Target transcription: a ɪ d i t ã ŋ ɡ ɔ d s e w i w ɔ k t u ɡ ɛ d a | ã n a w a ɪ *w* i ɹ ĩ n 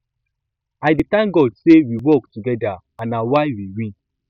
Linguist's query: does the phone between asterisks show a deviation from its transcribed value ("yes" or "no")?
no